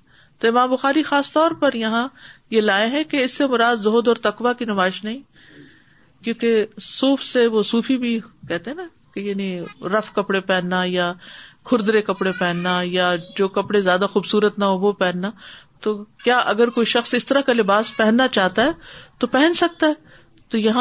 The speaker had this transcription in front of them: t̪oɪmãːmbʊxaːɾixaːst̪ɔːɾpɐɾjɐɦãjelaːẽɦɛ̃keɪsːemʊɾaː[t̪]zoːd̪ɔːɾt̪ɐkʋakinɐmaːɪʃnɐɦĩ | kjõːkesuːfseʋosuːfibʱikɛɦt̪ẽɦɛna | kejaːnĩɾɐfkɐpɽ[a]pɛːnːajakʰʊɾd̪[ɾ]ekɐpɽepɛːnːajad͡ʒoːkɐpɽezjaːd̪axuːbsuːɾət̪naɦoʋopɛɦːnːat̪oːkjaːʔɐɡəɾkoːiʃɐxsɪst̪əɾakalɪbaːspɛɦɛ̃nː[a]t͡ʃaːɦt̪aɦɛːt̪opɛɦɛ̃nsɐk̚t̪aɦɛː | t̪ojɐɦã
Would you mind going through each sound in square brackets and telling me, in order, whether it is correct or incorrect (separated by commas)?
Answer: incorrect, incorrect, correct, correct